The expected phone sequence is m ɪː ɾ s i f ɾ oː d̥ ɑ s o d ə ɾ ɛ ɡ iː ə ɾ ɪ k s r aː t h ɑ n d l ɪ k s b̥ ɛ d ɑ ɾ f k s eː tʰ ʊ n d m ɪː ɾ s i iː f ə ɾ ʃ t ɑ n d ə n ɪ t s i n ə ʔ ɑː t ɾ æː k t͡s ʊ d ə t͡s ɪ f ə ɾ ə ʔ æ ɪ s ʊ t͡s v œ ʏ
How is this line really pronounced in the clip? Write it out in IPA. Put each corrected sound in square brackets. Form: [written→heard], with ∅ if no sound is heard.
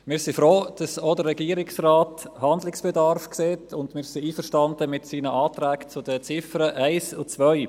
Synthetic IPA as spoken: m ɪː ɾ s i f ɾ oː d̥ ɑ s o d ə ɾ ɛ ɡ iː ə ɾ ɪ k s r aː t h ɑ n d l ɪ k s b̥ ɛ d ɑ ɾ f k s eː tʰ ʊ n d m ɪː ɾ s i iː f ə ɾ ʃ t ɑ n d ə [n→m] ɪ t s [i→iː] n ə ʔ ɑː t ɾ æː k t͡s ʊ d ə t͡s ɪ f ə ɾ ə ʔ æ ɪ s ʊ t͡s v œ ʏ